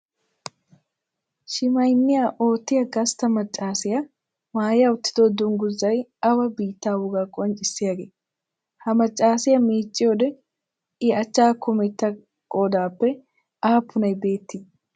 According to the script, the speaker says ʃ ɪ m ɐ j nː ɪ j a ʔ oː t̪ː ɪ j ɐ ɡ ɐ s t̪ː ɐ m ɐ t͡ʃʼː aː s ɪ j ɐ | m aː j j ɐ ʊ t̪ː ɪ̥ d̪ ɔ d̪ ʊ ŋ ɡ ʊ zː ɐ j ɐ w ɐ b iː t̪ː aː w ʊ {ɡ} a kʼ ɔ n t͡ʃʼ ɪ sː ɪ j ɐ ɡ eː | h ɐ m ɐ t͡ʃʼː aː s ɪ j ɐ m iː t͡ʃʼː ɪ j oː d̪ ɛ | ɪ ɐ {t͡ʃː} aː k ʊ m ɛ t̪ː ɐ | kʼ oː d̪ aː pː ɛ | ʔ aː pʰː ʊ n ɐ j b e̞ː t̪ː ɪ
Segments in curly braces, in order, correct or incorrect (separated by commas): correct, correct